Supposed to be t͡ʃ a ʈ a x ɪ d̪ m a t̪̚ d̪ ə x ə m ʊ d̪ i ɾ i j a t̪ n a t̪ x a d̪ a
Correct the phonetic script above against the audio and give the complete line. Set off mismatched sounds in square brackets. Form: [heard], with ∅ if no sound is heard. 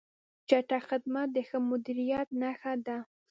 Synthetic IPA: t͡ʃ a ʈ a x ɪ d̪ m a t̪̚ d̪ ə x ə m ʊ d̪ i ɾ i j a t̪ n a [∅] x a d̪ a